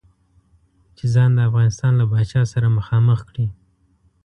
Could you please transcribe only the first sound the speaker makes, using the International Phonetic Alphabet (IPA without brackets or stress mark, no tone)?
t͡ʃ